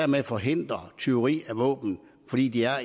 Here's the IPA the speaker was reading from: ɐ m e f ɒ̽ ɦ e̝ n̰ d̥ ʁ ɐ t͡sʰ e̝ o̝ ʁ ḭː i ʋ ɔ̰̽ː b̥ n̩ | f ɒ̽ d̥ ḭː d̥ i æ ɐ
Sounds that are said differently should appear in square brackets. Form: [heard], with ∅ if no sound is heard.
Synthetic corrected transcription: ɐ m e f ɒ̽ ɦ e̝ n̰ d̥ ʁ ɐ t͡sʰ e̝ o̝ ʁ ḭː [æ] ʋ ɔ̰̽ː b̥ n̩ | f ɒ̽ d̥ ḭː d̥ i æ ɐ